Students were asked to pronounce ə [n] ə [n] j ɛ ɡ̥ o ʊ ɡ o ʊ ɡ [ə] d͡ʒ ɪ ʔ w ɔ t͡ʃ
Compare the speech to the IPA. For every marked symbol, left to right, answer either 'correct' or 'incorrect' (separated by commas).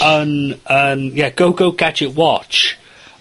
correct, correct, incorrect